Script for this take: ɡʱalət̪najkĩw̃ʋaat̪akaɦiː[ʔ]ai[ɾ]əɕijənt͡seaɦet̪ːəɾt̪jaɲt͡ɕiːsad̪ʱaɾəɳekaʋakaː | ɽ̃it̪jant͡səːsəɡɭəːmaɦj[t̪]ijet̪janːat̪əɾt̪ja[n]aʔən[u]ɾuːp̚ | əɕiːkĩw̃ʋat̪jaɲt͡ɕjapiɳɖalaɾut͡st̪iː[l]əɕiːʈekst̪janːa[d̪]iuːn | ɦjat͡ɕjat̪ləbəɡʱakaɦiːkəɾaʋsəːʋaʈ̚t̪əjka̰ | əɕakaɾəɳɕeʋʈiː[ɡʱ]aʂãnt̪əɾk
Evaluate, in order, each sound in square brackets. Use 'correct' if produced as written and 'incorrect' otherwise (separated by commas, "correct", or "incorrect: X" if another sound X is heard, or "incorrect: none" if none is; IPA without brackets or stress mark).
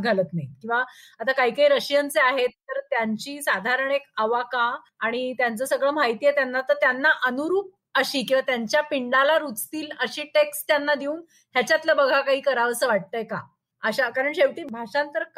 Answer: incorrect: k, correct, correct, incorrect: nː, correct, correct, correct, incorrect: bʱ